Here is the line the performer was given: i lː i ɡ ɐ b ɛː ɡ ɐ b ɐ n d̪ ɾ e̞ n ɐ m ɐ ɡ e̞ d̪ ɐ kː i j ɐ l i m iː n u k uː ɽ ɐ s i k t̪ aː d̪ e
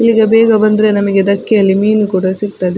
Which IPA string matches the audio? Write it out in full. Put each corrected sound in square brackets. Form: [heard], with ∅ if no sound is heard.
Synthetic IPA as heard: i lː i ɡ ɐ b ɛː ɡ ɐ b ɐ n d̪ ɾ e̞ n ɐ m ɐ ɡ e̞ d̪ ɐ kː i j ɐ [lː] i m iː n u k uː ɽ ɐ s i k t̪ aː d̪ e